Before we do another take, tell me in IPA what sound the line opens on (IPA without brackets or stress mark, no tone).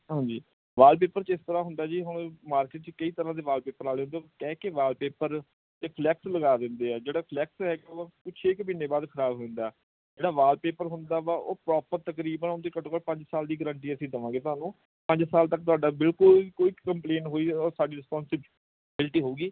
ɦ